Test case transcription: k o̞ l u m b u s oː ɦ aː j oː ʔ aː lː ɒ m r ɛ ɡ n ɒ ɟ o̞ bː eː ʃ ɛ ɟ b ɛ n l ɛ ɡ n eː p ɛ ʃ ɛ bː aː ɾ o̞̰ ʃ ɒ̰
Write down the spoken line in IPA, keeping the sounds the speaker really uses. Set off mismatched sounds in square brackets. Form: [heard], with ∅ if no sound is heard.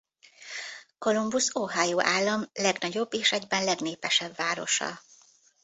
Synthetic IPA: k o̞ l u m b u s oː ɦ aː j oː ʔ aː lː ɒ m [l] ɛ ɡ n ɒ ɟ o̞ bː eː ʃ ɛ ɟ b ɛ n l ɛ ɡ n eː p ɛ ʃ ɛ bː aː ɾ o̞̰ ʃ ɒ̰